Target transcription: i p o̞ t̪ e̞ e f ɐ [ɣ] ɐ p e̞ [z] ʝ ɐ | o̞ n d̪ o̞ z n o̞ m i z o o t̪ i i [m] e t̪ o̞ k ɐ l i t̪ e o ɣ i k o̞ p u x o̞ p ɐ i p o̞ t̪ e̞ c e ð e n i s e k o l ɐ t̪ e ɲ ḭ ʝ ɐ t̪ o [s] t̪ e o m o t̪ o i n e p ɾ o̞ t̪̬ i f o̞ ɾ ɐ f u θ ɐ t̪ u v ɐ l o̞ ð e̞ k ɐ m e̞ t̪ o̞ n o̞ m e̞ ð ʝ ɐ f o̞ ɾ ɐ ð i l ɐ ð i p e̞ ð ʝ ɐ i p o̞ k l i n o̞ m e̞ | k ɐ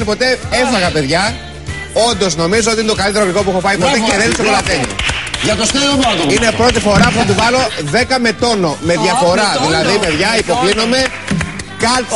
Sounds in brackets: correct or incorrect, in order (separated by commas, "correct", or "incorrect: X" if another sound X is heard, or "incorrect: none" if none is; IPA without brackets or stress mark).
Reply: correct, incorrect: ð, incorrect: n, correct